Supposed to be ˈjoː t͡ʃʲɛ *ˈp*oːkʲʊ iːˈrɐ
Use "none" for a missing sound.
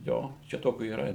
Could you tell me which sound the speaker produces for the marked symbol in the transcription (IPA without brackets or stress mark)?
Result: t